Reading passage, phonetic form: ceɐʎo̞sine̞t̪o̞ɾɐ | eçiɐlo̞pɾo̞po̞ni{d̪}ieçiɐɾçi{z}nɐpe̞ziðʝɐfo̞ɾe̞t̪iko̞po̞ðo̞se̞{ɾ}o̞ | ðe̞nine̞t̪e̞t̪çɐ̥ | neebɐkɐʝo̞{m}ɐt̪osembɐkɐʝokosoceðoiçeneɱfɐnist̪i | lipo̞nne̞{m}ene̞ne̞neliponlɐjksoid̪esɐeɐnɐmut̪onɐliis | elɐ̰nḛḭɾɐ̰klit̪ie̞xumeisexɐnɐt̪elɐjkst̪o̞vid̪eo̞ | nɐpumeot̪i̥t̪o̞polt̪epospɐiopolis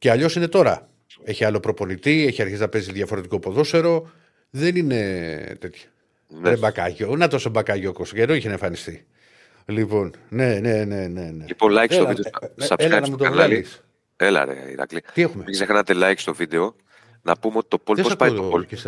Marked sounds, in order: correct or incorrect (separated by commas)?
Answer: incorrect, correct, correct, incorrect, incorrect